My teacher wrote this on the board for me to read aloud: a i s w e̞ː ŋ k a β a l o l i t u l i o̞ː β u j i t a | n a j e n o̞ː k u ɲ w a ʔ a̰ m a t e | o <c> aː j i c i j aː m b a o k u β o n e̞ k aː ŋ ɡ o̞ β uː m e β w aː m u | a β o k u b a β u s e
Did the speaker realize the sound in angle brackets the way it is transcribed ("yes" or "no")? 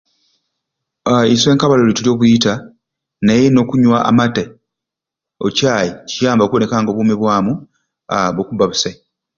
yes